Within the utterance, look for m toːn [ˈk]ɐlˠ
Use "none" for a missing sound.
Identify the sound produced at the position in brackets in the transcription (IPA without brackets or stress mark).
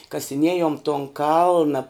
k